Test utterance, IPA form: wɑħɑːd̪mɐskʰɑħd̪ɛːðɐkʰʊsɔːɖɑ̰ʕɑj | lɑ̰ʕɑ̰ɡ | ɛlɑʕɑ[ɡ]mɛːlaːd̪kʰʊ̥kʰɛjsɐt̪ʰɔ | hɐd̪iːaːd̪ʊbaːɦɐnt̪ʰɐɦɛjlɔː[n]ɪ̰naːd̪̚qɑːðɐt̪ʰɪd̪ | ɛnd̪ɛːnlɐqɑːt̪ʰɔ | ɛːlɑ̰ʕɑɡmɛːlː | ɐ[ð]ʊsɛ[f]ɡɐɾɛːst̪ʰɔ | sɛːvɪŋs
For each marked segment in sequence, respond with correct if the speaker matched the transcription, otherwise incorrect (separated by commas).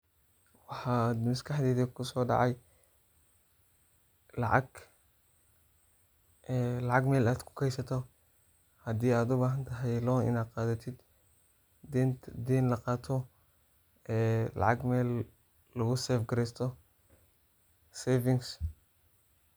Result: correct, correct, incorrect, correct